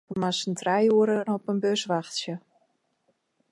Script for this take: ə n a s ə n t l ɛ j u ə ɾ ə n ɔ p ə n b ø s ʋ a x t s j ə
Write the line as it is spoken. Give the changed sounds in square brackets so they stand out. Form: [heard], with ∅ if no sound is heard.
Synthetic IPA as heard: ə [m] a s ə n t [r] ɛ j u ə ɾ ə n ɔ p ə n b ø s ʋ a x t s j ə